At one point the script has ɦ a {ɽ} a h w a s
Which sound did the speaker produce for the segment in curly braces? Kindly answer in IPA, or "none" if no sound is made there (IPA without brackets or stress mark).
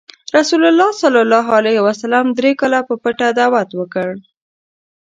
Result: l